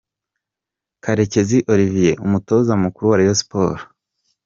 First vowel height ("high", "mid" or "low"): low